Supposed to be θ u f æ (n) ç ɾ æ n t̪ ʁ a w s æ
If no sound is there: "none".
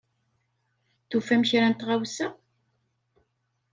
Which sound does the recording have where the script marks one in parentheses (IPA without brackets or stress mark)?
m